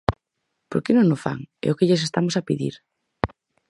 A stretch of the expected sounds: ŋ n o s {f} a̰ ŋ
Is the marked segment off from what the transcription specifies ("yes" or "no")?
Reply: no